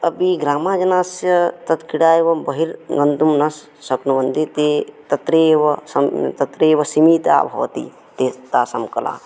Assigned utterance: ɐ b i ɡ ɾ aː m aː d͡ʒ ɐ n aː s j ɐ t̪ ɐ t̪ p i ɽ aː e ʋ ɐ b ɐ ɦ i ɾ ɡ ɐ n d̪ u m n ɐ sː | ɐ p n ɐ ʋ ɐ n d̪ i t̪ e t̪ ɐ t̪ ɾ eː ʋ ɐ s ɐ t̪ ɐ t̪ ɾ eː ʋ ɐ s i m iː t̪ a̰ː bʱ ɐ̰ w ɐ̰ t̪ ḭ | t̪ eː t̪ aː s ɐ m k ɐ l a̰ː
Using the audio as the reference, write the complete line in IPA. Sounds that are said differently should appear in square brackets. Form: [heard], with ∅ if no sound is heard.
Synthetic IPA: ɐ b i ɡ ɾ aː m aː d͡ʒ ɐ n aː s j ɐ t̪ ɐ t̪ [k] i ɽ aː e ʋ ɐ b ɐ ɦ i ɾ ɡ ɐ n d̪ u m n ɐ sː | ɐ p n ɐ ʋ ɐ n d̪ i t̪ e t̪ ɐ t̪ ɾ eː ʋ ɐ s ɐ t̪ ɐ t̪ ɾ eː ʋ ɐ s i m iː t̪ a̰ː bʱ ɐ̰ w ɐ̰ t̪ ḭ | t̪ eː t̪ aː s ɐ m k ɐ l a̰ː